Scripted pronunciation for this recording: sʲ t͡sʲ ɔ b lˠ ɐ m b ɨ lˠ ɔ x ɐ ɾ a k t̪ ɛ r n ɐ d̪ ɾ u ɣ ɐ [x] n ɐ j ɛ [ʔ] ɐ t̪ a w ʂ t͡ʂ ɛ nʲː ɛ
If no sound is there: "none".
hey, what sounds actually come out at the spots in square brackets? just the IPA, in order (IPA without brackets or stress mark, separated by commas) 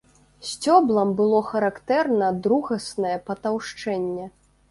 s, p